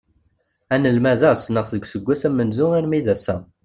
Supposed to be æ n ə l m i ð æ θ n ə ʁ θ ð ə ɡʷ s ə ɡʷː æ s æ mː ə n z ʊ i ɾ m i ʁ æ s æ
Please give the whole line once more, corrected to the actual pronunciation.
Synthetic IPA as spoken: æ n ə l m æ ð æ s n ə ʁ θ ð ə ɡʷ s ə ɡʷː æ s æ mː ə n z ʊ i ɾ m i ð æ s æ